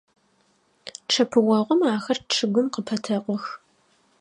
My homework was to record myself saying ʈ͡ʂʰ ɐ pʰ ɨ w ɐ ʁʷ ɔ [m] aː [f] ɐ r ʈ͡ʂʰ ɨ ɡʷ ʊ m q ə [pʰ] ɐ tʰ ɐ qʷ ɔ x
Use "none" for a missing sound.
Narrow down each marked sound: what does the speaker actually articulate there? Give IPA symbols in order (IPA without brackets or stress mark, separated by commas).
m, x, pʰ